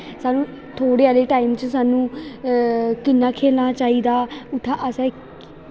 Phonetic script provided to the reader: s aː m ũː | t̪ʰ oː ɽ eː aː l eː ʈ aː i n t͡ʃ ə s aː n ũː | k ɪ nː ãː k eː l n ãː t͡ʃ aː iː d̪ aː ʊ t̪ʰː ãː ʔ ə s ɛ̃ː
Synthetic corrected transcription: s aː n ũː | t̪ʰ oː ɽ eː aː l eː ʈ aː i m t͡ʃ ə s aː n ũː | k ɪ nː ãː kʰ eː l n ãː t͡ʃ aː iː d̪ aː ʊ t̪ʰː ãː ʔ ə s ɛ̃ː